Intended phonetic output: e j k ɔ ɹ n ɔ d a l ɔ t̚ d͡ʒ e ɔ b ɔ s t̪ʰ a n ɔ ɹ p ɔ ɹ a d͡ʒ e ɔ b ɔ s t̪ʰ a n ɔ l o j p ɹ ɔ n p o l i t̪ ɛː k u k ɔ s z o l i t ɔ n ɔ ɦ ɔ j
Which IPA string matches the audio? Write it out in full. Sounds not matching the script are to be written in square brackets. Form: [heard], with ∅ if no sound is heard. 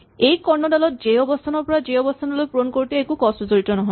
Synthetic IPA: e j k ɔ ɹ n ɔ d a l ɔ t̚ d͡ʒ e ɔ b ɔ s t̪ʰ a n ɔ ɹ p ɔ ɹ a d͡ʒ e ɔ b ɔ s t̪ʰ a n ɔ l o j p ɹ [o] n [k] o [ɹ] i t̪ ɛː k u k ɔ s z o [ɹ] i t ɔ n ɔ ɦ ɔ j